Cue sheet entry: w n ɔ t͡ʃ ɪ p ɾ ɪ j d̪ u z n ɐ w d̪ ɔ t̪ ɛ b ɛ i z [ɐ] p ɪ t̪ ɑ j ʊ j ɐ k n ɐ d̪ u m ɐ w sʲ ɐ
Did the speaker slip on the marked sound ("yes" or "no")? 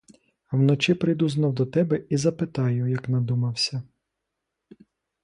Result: no